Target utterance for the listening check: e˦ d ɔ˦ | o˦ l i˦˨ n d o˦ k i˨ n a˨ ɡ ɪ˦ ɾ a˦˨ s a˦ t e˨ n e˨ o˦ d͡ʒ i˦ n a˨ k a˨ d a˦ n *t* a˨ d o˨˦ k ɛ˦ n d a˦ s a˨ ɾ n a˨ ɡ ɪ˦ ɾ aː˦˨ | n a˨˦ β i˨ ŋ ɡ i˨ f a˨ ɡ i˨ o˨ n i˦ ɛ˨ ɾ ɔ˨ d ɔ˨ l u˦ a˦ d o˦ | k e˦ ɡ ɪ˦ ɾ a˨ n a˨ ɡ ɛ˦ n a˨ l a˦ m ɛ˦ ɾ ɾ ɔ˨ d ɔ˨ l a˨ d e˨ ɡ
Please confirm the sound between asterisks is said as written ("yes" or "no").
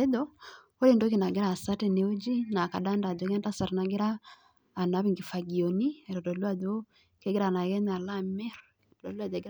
no